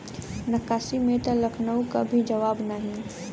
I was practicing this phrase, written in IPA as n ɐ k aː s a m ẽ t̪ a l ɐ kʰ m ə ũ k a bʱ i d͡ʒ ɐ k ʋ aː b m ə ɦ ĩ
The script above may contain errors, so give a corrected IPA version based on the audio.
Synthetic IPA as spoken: n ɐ k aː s i m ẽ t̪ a l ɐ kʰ n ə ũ k a bʱ i d͡ʒ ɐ ʋ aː b n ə ɦ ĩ